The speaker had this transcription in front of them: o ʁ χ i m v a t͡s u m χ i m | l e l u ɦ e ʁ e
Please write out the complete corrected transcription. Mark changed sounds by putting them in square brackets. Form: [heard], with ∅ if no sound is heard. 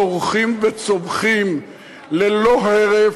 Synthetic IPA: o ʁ χ i m v [e] t͡s [o] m χ i m | l e l [o] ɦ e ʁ e